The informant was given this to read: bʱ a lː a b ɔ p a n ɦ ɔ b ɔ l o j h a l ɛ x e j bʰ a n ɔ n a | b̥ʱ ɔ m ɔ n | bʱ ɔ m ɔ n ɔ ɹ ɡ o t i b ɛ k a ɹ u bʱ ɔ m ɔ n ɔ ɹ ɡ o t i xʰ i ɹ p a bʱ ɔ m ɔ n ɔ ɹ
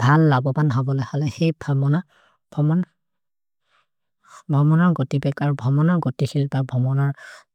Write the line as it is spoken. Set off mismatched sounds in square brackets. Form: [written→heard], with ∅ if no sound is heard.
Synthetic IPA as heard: bʱ a lː a b ɔ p a n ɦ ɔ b ɔ l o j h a l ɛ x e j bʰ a [n→m] ɔ n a | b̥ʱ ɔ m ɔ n | bʱ ɔ m ɔ n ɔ ɹ ɡ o t i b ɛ k a ɹ u bʱ ɔ m ɔ n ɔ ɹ ɡ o t i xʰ i [ɹ→l] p a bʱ ɔ m ɔ n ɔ ɹ